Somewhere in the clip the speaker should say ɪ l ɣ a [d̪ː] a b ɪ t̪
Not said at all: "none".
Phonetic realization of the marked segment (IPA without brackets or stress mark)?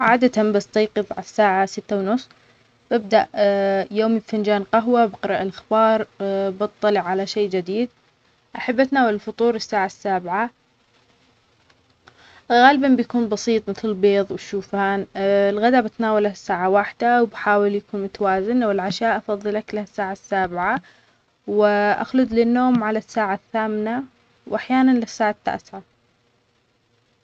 d̪